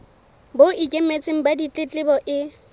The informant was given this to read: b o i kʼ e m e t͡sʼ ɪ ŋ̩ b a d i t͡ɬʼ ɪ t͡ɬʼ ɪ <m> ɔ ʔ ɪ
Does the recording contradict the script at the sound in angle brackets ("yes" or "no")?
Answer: yes